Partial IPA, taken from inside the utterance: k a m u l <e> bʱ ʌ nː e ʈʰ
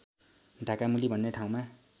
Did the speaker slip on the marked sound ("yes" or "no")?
yes